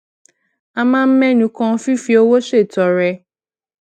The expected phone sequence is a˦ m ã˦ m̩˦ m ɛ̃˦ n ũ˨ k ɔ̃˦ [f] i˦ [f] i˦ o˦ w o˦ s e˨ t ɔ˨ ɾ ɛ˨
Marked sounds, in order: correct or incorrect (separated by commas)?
correct, correct